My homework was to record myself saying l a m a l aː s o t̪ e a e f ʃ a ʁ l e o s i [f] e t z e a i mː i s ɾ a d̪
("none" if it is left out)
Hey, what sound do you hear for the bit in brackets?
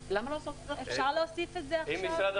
f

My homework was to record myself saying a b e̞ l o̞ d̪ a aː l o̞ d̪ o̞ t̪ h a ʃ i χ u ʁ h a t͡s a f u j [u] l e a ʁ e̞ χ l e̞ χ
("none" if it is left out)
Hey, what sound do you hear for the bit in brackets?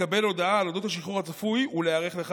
u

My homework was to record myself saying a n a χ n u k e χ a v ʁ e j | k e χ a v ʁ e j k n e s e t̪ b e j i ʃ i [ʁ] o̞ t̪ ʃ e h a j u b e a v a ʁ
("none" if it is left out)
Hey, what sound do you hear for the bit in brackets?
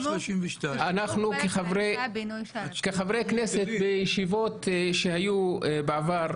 v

